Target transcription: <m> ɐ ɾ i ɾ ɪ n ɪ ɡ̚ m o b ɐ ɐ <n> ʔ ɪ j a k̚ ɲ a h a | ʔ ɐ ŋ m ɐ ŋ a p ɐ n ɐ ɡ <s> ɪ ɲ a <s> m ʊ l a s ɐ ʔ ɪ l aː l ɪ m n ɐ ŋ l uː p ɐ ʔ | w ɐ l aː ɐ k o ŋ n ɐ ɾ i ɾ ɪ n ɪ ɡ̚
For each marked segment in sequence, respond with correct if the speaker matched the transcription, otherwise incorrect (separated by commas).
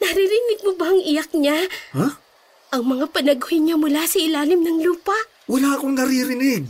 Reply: incorrect, incorrect, incorrect, incorrect